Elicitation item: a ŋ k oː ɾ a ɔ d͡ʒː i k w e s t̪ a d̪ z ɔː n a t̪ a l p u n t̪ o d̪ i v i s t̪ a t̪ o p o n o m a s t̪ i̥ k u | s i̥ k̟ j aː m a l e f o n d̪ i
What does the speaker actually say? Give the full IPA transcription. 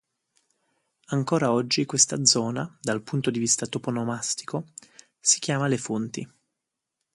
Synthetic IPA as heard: a ŋ k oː ɾ a ɔ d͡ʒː i k w e s t̪ a d̪ z ɔː n a d̪ a l p u n t̪ o d̪ i v i s t̪ a t̪ o p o n o m a s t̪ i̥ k o | s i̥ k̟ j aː m a l e f o n t̪ i